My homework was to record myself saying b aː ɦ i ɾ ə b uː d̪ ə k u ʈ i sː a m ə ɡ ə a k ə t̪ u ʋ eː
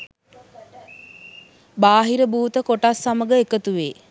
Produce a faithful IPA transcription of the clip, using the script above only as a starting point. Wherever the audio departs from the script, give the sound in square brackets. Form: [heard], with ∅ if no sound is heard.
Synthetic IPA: b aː ɦ i ɾ ə b uː [t̪] ə k [o] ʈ [a] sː a m ə ɡ ə [e] k ə t̪ u ʋ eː